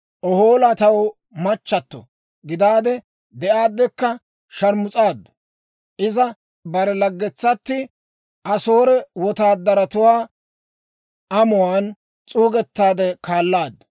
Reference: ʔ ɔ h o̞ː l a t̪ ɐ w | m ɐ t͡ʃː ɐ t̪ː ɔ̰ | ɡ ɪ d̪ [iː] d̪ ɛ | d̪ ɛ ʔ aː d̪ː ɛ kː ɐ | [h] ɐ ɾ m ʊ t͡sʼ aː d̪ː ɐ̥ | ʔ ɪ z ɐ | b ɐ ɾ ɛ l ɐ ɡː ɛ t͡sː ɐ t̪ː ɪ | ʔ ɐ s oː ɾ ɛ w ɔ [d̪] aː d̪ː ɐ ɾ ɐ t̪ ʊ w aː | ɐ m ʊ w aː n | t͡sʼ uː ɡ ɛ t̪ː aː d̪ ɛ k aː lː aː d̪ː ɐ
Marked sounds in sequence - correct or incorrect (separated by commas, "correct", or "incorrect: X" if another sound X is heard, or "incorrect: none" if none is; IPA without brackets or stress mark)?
incorrect: aː, incorrect: ʃ, incorrect: t̪